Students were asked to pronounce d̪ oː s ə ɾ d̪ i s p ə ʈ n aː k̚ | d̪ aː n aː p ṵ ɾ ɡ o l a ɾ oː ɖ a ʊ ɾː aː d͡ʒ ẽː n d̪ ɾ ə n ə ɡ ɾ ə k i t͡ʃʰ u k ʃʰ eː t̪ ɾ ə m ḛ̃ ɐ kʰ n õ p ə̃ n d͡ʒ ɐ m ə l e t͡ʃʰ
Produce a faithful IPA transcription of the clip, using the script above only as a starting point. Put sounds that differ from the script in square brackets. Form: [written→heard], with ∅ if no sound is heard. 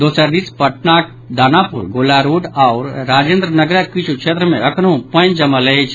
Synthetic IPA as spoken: d̪ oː s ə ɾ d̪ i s p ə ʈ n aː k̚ | d̪ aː n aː p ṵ ɾ ɡ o l a ɾ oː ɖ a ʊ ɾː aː d͡ʒ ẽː n d̪ ɾ ə n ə ɡ ɾ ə k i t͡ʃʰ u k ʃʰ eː t̪ ɾ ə m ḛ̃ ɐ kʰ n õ p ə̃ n d͡ʒ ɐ m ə l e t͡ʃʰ